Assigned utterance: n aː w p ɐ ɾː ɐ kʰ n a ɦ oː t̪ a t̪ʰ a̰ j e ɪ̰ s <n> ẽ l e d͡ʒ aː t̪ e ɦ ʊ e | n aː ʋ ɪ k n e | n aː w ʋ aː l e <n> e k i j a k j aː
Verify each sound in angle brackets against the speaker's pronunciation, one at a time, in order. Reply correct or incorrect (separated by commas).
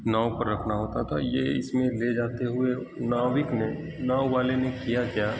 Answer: incorrect, correct